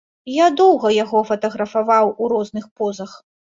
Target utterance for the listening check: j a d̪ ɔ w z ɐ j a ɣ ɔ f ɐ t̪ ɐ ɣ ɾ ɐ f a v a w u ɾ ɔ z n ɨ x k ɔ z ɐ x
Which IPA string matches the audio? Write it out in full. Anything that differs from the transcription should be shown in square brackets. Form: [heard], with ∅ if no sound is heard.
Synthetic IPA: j a d̪ ɔ w [ɣ] ɐ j a ɣ ɔ f ɐ t̪ ɐ ɣ ɾ ɐ f a v a w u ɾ ɔ z n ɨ x [p] ɔ z ɐ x